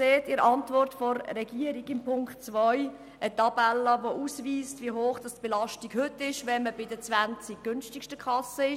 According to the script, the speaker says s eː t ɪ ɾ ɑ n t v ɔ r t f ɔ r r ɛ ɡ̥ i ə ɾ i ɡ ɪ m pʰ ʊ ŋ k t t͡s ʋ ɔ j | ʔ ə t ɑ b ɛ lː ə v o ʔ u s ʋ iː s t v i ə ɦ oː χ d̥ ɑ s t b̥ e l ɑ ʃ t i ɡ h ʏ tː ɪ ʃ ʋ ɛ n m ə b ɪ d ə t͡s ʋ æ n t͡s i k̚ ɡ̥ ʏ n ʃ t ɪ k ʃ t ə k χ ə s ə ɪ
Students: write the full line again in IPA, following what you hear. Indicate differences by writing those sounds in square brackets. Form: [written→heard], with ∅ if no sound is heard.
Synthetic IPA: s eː t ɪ ɾ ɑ n t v ɔ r t f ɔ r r ɛ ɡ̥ i ə ɾ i ɡ ɪ m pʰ ʊ ŋ k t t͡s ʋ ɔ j | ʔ ə t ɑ b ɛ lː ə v o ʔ u s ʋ iː s t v i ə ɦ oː χ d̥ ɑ s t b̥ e l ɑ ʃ t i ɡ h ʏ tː ɪ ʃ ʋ ɛ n m ə b ɪ d ə t͡s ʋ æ n t͡s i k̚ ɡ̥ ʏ n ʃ t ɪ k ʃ t ə k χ [ə→ɑ] s ə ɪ